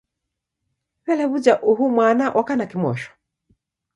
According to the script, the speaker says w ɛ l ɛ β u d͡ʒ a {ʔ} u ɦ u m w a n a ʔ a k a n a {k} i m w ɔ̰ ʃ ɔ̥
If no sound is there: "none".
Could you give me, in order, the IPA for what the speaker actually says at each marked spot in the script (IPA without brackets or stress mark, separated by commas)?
ʔ, k